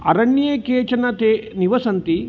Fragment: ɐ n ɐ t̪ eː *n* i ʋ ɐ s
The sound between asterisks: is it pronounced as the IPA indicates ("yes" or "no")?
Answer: yes